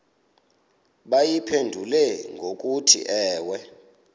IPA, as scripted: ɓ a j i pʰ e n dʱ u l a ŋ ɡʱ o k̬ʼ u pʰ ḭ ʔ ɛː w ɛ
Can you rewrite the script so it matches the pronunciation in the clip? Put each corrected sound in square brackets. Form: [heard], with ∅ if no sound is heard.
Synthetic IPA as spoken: ɓ a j i pʰ e n dʱ u l [ɛ] ŋ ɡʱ o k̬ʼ u [tʰ] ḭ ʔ ɛː w ɛ